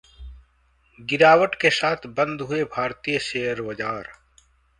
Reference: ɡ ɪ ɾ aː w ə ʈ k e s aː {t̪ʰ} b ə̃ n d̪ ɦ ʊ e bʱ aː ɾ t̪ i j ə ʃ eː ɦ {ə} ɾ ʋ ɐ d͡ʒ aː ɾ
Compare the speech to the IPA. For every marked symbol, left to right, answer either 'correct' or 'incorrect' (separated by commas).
correct, correct